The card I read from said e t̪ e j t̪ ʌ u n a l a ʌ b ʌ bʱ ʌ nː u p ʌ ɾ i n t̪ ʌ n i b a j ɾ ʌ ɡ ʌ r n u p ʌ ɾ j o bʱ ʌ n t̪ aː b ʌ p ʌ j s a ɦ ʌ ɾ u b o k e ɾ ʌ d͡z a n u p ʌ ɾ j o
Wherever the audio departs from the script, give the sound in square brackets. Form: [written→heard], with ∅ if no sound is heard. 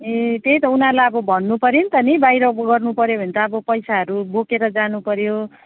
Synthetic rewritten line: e t̪ e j t̪ ʌ u n a l a ʌ b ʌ bʱ ʌ nː u p ʌ ɾ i n t̪ ʌ n i b a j ɾ ʌ ɡ ʌ r n u p ʌ ɾ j o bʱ ʌ n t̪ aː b ʌ p ʌ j s a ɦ ʌ ɾ u b o k e ɾ ʌ d͡z a n u p ʌ ɾ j o

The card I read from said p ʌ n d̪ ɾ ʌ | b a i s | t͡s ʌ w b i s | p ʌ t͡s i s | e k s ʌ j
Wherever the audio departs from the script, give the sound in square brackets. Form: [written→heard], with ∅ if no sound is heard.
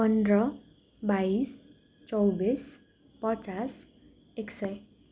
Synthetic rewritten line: p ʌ n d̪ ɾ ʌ | b a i s | t͡s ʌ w b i s | p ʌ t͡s [i→a] s | e k s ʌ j

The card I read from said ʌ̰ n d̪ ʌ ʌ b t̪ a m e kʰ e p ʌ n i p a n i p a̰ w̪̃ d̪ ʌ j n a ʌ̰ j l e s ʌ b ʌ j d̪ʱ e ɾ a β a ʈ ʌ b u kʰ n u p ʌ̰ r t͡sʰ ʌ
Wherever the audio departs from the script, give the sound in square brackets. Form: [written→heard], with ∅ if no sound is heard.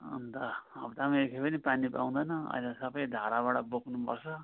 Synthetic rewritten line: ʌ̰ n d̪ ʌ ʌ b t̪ a m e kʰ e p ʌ n i p a n i p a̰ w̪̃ d̪ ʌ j n [a→ʌ] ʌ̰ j l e s ʌ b ʌ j d̪ʱ [e→a] ɾ a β a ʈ ʌ b [u→o] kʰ n u p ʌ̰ r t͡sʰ ʌ

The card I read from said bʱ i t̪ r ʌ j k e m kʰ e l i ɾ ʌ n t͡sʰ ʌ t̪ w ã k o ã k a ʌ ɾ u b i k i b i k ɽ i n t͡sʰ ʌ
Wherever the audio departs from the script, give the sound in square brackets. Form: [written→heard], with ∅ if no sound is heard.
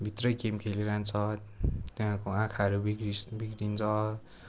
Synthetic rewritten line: bʱ i t̪ r ʌ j k e m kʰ e l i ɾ [ʌ→a] n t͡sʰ ʌ t̪ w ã k o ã [k→kʰ] a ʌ ɾ u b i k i b i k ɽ i n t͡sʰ ʌ

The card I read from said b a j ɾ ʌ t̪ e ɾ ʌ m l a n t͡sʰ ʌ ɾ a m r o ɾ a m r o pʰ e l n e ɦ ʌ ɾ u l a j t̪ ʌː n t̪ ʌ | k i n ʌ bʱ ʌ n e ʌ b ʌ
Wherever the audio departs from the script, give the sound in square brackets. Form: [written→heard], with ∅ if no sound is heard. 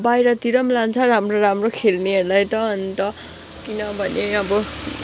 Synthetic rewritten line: b a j ɾ ʌ t̪ [e→i] ɾ ʌ m l a n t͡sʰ ʌ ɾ a m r o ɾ a m r o [pʰ→kʰ] e l n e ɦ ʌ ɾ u l a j t̪ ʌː n t̪ ʌ | k i n ʌ bʱ ʌ n e ʌ b ʌ

